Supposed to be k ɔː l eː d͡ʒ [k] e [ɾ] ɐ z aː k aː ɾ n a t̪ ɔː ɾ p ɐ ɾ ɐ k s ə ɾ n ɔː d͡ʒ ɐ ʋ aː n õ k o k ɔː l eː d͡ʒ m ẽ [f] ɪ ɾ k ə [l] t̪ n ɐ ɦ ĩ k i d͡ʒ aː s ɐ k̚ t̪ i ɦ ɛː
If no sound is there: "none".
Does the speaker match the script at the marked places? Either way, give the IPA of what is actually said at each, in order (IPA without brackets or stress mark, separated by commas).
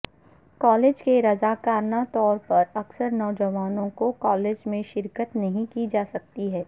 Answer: k, ɾ, ʃ, none